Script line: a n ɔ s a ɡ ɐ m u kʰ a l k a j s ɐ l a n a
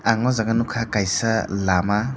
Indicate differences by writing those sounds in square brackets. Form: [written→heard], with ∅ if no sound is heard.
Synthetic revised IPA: a [n→ŋ] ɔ [s→z] a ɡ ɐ [m→n] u kʰ a [l→∅] k a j s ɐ l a [n→m] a